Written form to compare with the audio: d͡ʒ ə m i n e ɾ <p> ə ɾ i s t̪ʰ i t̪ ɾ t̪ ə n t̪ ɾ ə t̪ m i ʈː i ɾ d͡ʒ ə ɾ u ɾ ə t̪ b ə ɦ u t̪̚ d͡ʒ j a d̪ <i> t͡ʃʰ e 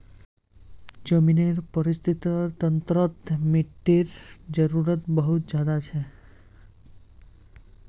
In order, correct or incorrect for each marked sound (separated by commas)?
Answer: correct, incorrect